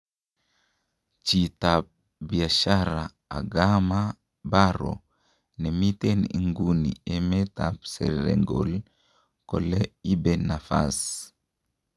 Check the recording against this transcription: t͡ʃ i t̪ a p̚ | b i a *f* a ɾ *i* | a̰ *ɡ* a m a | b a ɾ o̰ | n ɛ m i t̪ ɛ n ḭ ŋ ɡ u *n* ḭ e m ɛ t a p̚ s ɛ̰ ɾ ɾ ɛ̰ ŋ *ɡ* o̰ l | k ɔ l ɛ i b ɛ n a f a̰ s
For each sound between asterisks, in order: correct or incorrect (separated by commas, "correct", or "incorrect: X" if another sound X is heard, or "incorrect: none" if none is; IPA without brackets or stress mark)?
incorrect: ʃ, incorrect: a, correct, correct, correct